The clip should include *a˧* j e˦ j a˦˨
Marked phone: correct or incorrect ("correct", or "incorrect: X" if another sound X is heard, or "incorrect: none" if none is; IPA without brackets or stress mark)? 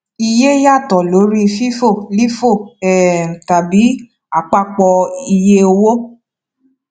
incorrect: i˧